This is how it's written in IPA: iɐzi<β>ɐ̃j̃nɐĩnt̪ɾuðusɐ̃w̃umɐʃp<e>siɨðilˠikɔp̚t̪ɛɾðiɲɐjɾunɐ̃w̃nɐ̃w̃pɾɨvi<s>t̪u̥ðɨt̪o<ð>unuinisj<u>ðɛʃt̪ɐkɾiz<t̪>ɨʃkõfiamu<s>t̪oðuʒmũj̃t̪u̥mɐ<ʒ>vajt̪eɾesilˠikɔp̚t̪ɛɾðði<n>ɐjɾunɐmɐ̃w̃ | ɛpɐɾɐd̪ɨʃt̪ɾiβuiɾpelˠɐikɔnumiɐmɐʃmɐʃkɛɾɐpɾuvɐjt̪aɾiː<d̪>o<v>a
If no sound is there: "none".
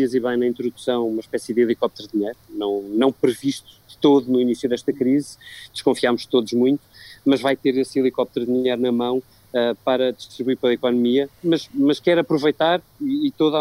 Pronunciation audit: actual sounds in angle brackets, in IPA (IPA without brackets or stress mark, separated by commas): β, ɛ, ʃ, ð, u, d̪, ʃ, ʒ, ɲ, t̪, ð